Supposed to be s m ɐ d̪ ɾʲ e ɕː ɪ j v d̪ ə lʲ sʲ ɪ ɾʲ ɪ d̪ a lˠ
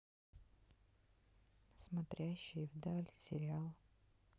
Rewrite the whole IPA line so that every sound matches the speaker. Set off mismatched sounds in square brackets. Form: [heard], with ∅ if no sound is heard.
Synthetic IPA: s m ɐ [t̪] ɾʲ [æ] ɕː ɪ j v d̪ [a] lʲ sʲ ɪ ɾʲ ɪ [∅] a lˠ